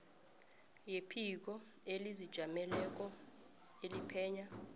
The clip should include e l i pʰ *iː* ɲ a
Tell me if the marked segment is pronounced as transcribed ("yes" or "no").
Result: no